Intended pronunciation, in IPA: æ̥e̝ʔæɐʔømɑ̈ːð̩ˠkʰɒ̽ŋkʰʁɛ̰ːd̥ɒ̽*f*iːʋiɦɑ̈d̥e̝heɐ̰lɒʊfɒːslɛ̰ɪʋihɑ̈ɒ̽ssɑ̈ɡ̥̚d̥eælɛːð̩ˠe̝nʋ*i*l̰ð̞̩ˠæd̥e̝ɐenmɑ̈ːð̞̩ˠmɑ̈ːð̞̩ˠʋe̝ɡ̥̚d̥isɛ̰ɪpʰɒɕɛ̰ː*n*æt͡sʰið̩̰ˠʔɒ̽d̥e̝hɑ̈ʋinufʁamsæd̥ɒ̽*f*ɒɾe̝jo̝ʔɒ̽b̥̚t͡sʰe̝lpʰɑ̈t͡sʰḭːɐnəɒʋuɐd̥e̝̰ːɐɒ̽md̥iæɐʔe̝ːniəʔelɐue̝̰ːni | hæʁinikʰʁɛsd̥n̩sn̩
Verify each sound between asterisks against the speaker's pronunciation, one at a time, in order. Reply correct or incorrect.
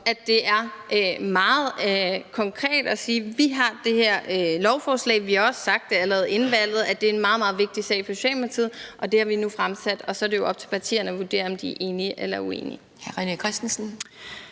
incorrect: s, incorrect: æ, incorrect: m, incorrect: s

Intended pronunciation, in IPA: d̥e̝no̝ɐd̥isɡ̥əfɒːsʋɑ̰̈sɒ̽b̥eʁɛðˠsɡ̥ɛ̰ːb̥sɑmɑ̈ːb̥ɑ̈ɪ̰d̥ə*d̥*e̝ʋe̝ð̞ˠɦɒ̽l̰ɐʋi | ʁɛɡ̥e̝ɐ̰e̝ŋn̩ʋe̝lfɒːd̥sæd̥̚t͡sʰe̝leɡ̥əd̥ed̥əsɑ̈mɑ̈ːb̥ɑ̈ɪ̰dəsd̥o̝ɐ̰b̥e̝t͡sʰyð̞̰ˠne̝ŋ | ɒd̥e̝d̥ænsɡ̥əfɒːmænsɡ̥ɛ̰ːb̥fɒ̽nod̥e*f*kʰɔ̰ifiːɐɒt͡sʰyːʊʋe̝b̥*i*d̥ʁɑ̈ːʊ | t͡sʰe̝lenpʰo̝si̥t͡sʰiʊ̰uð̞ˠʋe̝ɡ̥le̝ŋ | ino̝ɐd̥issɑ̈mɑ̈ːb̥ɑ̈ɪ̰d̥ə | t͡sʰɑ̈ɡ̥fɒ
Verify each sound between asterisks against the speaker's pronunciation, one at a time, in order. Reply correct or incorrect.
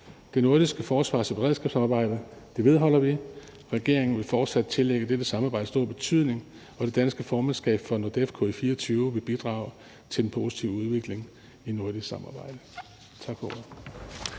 correct, correct, correct

